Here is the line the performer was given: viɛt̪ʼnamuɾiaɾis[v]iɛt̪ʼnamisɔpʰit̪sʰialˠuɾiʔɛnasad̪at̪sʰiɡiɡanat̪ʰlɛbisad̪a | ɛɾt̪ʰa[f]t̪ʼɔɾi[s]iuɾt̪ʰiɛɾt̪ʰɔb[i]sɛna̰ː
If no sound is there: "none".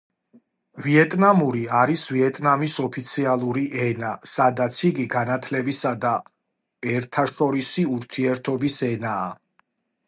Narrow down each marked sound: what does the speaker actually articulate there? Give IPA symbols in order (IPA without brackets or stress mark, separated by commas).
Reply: v, ʃ, s, i